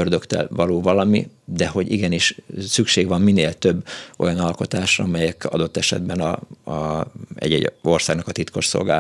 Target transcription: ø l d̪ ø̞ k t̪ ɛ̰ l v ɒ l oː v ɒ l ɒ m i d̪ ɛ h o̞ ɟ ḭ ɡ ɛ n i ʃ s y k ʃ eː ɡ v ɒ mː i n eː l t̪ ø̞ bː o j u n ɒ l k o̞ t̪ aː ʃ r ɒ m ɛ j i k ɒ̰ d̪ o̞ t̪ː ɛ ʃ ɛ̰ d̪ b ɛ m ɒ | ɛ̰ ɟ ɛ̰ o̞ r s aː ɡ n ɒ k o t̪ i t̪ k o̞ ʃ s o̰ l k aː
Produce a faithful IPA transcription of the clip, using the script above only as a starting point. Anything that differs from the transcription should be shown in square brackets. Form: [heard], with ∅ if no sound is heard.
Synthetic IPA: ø [r] d̪ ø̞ k t̪ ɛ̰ l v ɒ l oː v ɒ l ɒ m i d̪ ɛ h o̞ ɟ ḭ ɡ ɛ n i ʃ s y k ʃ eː ɡ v ɒ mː i n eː l t̪ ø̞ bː o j [ɒ] n ɒ l k o̞ t̪ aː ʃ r ɒ m ɛ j [ɛ] k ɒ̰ d̪ o̞ t̪ː ɛ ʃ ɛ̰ d̪ b ɛ [n] ɒ | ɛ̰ ɟ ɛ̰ o̞ r s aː ɡ n ɒ k [ɒ] t̪ i t̪ k o̞ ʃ s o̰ l [ɡ] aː